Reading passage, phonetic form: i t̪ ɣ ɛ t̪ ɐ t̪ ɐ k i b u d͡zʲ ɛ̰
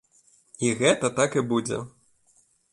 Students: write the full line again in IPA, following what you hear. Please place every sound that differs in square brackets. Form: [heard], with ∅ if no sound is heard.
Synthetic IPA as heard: i [∅] ɣ ɛ t̪ ɐ t̪ [a] k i b u d͡zʲ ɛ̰